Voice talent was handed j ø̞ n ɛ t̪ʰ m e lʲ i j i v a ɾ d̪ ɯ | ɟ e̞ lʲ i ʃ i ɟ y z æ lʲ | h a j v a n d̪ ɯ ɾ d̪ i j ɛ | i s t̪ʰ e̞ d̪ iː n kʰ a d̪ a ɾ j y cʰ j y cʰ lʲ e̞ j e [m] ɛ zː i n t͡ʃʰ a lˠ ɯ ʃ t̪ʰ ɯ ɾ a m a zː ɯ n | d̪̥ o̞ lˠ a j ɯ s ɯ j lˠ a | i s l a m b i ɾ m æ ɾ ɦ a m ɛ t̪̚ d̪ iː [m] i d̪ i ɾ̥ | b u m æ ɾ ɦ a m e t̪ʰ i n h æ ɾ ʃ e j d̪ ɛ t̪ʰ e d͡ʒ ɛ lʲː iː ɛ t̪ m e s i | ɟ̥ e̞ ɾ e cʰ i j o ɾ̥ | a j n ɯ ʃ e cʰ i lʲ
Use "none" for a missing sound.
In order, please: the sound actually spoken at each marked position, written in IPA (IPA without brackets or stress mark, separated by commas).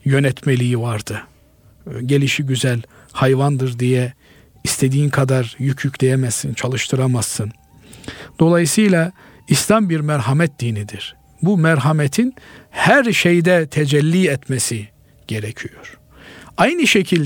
m, n